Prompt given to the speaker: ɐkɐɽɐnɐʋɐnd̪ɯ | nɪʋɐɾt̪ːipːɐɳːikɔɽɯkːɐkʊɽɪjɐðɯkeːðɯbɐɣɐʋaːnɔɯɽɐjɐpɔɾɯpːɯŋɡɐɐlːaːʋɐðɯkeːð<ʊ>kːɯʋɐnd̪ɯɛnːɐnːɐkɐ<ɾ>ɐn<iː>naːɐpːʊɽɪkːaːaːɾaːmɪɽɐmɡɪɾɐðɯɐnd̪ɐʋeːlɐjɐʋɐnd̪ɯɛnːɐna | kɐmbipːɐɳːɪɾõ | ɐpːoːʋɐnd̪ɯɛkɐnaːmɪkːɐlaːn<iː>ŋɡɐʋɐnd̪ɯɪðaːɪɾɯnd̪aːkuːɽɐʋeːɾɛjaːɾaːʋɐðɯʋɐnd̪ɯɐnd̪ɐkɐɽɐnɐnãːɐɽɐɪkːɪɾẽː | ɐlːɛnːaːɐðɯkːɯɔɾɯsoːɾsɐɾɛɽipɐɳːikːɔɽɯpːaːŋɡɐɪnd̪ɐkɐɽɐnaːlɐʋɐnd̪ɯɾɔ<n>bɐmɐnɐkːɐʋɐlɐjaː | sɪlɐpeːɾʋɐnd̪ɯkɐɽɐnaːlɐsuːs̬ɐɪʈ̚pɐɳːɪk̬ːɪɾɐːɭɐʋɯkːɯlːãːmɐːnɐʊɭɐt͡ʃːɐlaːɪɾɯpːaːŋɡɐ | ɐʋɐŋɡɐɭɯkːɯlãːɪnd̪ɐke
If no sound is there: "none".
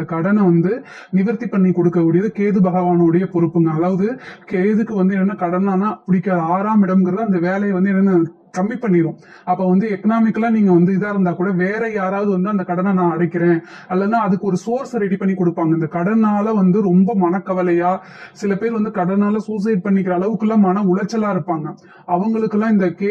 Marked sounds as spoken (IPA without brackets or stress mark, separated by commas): ɯ, ɽ, aː, iː, m